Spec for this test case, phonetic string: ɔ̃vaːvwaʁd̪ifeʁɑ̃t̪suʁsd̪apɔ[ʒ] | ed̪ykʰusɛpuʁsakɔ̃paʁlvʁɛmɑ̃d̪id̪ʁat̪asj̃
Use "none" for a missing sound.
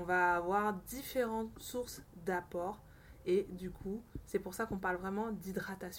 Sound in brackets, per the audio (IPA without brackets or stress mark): ʁ